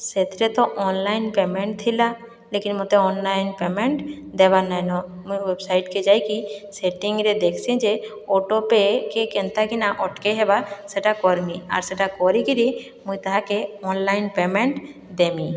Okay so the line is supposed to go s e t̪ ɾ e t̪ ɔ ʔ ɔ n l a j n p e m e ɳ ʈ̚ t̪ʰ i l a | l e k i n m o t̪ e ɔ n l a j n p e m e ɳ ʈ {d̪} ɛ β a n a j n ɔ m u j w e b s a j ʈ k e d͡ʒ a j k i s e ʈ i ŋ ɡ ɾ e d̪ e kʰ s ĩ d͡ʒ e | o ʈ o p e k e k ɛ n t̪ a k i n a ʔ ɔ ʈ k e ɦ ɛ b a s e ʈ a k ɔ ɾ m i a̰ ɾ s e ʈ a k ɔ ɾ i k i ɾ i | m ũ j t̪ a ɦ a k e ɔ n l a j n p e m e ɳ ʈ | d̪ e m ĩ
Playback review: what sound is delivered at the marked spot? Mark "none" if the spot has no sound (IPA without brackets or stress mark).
d̪